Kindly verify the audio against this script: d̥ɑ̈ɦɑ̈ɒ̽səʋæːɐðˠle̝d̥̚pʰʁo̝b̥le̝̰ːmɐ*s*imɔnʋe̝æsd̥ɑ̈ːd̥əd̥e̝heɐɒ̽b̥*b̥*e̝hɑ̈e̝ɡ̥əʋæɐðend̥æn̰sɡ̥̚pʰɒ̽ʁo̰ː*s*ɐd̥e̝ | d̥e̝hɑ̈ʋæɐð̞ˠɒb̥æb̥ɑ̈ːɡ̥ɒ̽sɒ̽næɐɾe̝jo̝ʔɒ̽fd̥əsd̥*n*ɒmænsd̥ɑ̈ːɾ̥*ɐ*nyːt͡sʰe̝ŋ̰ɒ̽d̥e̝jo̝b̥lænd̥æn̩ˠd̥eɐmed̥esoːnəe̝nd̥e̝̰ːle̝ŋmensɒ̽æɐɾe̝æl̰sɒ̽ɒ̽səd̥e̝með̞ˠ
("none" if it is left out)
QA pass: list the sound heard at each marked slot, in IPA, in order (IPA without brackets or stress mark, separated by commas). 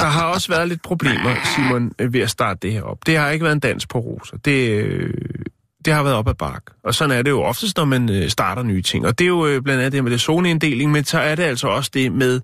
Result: s, d̥, s, n, ɐ